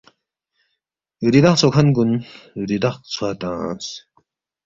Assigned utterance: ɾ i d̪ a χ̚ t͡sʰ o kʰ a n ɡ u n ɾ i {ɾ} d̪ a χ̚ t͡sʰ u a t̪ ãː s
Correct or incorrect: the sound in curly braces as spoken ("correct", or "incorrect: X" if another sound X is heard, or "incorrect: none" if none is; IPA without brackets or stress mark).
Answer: incorrect: none